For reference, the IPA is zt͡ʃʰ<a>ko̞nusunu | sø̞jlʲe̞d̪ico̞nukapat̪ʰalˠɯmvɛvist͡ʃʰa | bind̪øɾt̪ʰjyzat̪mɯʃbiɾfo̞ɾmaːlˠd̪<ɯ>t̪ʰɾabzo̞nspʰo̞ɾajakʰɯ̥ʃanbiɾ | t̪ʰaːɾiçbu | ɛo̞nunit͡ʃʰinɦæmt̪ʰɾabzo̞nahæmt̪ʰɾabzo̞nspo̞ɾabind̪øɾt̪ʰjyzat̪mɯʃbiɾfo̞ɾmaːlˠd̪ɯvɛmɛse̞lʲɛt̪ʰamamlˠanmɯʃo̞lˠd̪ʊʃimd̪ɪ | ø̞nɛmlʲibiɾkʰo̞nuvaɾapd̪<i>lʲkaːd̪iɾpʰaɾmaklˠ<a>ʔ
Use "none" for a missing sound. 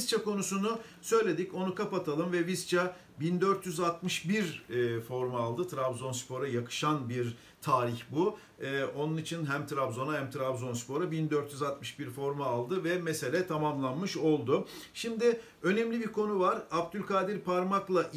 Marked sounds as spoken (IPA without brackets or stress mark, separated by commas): a, ɯ, y, a